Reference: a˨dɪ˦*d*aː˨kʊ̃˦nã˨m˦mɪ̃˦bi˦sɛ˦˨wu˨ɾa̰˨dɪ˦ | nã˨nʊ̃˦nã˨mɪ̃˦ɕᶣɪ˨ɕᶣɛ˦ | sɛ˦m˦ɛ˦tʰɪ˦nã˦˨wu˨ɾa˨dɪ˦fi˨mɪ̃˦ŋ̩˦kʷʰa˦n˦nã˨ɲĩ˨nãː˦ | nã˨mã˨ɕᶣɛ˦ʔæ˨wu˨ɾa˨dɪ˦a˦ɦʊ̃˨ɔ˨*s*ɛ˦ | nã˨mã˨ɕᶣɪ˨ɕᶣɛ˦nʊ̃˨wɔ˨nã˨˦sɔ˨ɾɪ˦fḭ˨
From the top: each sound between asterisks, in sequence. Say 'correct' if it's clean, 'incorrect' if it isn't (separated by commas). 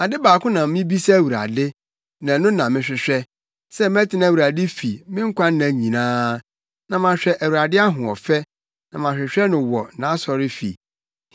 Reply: incorrect, incorrect